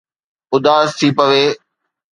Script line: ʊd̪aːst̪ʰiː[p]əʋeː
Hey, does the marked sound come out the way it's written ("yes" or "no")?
yes